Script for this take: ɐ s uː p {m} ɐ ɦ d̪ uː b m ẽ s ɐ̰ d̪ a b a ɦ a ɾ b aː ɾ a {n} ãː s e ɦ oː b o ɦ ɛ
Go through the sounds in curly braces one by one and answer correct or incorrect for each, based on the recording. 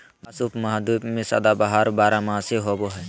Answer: correct, incorrect

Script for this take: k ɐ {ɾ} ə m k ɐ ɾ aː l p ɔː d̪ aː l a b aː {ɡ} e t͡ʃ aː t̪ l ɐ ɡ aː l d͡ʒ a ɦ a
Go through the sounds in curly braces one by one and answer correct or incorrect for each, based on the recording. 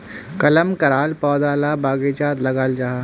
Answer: incorrect, correct

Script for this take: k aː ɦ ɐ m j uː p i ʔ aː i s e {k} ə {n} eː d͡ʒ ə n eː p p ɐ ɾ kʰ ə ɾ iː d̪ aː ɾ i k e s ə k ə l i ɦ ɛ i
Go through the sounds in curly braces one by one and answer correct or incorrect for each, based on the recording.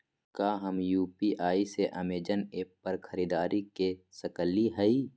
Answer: incorrect, incorrect

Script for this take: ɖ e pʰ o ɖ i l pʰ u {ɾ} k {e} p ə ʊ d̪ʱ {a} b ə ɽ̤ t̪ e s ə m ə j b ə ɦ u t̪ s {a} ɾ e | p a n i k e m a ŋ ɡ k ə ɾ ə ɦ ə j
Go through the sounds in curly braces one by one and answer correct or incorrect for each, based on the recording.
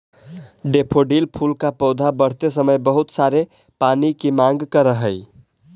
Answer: incorrect, incorrect, correct, correct

